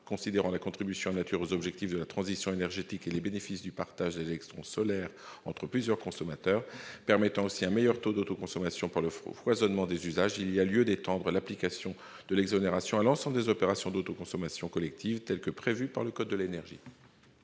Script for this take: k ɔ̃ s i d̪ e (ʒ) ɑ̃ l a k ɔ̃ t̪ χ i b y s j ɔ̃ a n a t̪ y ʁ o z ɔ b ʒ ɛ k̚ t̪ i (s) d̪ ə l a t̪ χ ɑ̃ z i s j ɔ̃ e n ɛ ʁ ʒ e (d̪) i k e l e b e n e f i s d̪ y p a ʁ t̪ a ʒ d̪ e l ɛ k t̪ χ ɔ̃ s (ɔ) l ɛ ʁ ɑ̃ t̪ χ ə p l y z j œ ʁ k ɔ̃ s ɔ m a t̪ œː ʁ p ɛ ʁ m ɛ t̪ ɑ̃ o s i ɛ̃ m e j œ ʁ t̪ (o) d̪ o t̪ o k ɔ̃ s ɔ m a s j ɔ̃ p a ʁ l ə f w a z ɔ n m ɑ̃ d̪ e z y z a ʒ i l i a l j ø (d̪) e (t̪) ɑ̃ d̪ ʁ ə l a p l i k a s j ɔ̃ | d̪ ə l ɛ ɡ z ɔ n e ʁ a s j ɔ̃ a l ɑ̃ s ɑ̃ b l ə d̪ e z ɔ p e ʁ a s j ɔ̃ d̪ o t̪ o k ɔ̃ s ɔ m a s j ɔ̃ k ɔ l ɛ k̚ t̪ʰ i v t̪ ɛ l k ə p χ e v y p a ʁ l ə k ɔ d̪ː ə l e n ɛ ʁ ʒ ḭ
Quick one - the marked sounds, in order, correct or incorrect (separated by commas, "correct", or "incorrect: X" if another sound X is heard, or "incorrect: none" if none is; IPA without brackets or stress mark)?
incorrect: ʁ, incorrect: f, incorrect: t̪, correct, correct, correct, correct